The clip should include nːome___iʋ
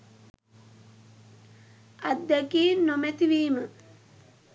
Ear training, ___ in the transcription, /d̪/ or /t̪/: t̪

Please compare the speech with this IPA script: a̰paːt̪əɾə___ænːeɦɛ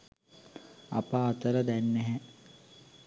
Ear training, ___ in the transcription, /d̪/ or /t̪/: d̪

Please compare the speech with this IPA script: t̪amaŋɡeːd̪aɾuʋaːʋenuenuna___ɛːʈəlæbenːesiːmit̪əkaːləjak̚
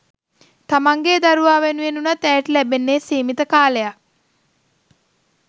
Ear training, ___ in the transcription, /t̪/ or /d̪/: t̪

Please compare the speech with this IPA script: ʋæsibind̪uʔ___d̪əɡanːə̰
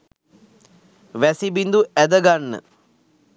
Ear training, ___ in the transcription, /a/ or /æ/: æ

